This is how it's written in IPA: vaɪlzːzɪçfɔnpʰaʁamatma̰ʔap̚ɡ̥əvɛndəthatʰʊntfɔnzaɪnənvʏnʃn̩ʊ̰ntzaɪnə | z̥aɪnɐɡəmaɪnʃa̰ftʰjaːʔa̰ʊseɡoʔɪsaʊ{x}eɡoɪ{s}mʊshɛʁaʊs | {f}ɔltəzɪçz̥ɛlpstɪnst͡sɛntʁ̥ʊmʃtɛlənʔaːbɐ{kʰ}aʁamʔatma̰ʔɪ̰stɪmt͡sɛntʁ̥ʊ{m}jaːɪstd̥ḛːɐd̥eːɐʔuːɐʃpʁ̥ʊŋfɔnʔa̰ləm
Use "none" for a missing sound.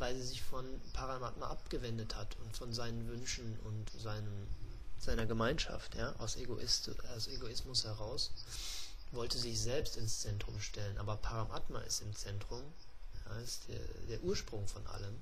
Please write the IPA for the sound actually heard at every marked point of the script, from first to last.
s, s, v, pʰ, m

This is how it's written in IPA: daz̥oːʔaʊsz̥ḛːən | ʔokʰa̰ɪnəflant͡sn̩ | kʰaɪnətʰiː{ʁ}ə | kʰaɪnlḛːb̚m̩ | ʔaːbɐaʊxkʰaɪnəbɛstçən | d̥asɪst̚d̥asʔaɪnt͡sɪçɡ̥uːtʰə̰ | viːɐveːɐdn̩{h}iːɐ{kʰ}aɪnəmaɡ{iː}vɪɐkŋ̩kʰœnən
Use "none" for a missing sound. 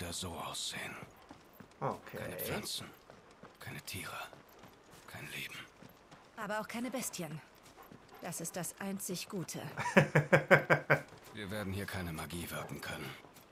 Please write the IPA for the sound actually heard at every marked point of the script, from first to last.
ʁ, h, kʰ, iː

